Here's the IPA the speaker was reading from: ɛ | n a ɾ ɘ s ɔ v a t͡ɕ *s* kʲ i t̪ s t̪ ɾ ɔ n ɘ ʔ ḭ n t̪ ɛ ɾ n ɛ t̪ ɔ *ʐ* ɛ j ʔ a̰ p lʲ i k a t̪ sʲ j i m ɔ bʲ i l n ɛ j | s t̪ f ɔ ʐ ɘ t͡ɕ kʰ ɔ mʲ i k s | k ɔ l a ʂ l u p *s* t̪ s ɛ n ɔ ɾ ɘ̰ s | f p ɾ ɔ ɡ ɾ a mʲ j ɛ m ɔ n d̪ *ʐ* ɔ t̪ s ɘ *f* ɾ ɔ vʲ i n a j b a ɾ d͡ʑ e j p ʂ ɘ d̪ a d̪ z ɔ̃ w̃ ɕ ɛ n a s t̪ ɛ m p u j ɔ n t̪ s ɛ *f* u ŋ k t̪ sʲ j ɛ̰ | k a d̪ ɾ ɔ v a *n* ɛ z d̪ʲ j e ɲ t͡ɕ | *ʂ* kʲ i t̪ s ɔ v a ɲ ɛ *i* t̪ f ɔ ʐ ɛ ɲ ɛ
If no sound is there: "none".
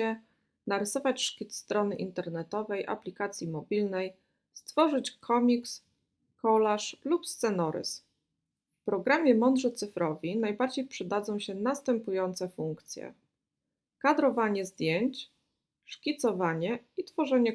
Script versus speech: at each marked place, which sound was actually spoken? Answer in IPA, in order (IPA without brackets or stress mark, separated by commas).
ʂ, v, s, ʐ, f, f, ɲ, ʂ, i